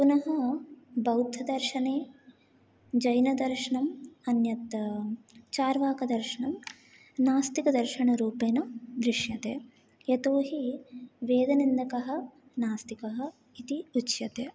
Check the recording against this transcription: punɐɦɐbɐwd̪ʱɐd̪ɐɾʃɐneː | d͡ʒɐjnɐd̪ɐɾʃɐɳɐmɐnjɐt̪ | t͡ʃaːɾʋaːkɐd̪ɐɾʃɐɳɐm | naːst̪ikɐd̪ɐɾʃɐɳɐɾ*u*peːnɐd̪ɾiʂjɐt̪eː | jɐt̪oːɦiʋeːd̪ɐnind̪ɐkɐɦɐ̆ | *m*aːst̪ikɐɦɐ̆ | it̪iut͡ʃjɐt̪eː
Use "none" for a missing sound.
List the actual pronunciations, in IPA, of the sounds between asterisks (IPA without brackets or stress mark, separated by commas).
uː, n